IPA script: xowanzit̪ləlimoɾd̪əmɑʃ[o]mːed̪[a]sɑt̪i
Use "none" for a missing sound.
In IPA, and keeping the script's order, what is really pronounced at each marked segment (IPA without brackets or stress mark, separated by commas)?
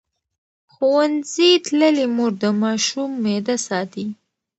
u, a